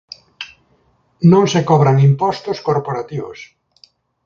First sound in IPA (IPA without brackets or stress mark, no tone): n